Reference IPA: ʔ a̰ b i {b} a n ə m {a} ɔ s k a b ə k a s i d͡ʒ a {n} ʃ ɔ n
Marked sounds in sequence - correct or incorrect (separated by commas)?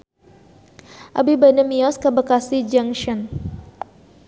correct, incorrect, incorrect